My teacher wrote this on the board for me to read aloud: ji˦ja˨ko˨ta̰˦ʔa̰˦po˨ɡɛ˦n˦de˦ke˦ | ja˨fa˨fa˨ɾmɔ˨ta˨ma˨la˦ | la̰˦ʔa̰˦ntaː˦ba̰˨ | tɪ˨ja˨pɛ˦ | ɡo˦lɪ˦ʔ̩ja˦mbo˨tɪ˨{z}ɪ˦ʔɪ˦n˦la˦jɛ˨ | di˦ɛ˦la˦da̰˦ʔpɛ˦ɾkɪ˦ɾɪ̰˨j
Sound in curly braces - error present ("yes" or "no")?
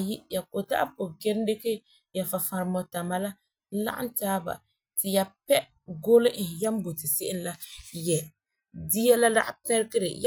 yes